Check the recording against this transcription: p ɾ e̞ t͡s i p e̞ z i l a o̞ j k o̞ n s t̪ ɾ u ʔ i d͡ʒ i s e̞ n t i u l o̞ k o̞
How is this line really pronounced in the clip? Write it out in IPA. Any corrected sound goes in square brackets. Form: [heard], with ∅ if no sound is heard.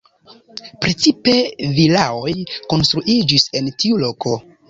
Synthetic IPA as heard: p ɾ e̞ t͡s i p e̞ [v] i l a o̞ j k o̞ n s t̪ ɾ u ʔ i d͡ʒ i s e̞ n t i u l o̞ k o̞